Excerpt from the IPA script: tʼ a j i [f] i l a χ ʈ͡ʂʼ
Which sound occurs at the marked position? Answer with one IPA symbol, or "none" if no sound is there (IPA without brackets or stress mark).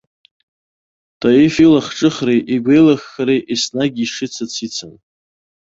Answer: f